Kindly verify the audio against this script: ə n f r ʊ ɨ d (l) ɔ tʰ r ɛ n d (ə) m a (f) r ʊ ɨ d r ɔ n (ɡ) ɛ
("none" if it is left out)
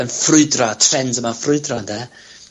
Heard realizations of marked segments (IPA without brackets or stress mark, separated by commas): r, ə, f, d